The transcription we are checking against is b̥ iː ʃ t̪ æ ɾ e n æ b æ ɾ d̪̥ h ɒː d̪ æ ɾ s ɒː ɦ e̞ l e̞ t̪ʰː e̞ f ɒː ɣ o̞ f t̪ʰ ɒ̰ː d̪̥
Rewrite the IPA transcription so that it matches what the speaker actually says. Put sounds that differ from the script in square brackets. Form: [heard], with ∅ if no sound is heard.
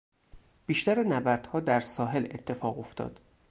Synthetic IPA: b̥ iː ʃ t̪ æ ɾ e n æ b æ ɾ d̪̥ h ɒː d̪ æ ɾ s ɒː ɦ e̞ l e̞ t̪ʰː e̞ f ɒː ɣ o̞ f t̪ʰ ɒ̰ː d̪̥